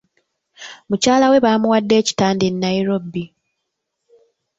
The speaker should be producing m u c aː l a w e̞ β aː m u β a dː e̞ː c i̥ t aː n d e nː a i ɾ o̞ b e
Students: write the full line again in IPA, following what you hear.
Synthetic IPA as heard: m u c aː l a w e̞ β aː m u w a dː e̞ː c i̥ t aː n d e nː a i ɾ o̞ b i